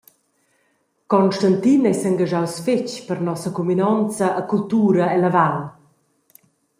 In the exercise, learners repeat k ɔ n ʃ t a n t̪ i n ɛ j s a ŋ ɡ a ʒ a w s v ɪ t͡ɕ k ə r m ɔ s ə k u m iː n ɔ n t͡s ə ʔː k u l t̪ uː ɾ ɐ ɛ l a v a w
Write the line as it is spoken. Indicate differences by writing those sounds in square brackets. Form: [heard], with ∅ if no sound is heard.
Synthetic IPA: k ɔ n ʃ t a n t̪ i n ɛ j s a ŋ ɡ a ʒ a w s [f] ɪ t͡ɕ [p] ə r [n] ɔ s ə k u m [i] n ɔ n t͡s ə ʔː k u l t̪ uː ɾ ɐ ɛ l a v a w